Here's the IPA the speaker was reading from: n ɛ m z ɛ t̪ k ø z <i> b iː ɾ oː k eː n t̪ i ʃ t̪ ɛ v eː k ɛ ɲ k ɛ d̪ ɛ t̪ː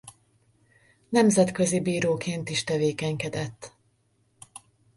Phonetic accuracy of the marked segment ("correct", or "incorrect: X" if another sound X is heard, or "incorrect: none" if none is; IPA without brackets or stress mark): correct